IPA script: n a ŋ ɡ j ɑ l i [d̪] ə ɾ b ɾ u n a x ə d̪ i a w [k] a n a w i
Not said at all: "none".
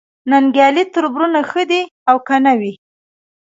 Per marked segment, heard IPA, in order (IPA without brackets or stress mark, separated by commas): t̪, k